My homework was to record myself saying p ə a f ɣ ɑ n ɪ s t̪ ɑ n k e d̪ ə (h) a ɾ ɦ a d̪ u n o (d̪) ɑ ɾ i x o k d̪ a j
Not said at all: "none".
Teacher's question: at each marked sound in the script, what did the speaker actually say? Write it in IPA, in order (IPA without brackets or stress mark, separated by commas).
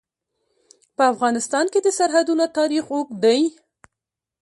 s, t̪